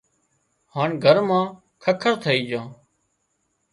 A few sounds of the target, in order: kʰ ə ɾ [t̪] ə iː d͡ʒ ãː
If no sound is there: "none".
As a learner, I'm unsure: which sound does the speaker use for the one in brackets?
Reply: t̪ʰ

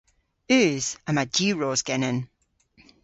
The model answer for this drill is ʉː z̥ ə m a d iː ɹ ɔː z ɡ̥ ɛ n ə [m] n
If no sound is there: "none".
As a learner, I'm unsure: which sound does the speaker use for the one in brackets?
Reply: none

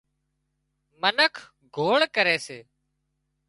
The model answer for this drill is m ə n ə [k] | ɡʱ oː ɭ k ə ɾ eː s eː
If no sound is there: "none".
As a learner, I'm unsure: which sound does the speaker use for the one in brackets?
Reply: kʰ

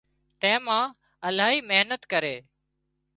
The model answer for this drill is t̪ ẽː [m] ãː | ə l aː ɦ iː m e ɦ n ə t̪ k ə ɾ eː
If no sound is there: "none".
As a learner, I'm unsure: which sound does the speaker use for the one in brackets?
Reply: m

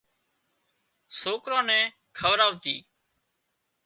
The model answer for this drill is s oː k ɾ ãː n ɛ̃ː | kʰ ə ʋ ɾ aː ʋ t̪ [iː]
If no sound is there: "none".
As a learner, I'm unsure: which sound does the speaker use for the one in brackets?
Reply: iː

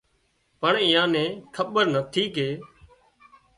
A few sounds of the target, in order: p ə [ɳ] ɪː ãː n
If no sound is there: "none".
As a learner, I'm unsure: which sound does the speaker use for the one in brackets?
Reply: ɳ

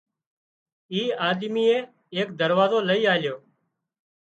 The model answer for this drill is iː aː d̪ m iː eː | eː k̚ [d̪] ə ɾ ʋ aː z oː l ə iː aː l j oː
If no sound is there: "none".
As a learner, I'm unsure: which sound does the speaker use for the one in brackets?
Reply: d̪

